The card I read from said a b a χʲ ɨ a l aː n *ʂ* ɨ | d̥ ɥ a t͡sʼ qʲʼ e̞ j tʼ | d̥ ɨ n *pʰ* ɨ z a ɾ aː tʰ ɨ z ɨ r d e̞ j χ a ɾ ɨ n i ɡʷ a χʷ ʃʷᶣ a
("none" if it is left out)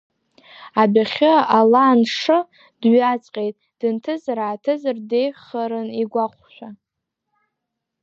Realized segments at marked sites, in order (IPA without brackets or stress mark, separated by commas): ʂ, tʰ